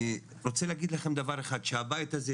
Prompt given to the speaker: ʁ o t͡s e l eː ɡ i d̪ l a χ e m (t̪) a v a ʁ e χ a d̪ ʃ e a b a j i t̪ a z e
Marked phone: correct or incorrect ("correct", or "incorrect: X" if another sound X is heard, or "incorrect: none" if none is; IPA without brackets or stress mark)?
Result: incorrect: d̪